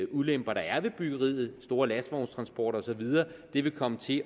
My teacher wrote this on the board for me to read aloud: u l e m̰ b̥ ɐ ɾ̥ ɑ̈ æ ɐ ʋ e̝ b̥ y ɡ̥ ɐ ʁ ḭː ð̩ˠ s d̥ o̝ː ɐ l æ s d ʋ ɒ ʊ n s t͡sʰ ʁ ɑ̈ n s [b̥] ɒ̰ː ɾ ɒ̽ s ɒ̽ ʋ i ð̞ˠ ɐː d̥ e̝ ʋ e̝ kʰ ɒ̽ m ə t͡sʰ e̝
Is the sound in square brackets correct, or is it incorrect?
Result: correct